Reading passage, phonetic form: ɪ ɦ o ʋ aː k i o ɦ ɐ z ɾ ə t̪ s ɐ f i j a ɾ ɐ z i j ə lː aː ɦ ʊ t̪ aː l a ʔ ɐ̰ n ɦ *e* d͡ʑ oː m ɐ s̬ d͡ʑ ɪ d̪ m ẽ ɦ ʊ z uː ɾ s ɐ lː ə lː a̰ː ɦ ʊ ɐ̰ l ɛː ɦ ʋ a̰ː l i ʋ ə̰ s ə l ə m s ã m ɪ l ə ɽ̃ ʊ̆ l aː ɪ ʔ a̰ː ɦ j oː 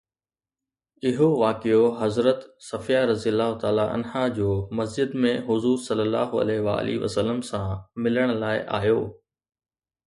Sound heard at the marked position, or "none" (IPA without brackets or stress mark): a